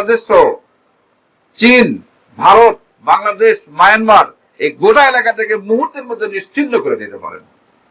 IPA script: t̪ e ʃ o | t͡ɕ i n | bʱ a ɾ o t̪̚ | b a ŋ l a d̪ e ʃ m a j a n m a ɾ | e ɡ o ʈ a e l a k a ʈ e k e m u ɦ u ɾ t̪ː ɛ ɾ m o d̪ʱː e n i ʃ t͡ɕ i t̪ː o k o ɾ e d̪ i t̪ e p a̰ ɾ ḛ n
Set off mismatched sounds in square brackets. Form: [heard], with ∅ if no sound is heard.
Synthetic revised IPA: [d̪] e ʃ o | t͡ɕ i n | bʱ a ɾ o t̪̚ | b a ŋ l a d̪ e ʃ m a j a n m a ɾ | e ɡ o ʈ a e l a k a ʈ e k e m u ɦ u ɾ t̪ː [e] ɾ m o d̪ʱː e n i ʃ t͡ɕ i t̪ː o k o ɾ e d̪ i t̪ e p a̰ ɾ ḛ n